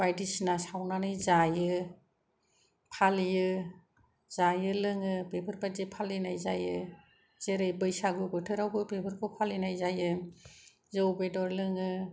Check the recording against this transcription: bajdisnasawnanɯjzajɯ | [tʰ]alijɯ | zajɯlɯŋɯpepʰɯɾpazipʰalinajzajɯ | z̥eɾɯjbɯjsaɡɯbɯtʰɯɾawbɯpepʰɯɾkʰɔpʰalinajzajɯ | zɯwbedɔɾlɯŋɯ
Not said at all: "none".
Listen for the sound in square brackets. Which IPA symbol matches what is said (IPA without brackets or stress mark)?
pʰ